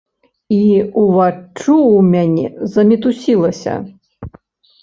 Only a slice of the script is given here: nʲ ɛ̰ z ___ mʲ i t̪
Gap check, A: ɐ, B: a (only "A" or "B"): A